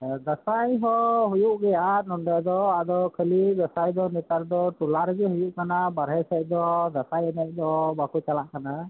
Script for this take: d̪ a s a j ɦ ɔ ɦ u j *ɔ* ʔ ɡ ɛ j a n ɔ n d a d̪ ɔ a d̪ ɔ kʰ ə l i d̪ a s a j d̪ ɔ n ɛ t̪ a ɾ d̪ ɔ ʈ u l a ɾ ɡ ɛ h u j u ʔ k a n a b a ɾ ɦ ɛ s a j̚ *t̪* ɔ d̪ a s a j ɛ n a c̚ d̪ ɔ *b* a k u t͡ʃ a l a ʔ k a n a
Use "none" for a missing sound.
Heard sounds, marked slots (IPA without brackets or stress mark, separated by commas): u, d̪, b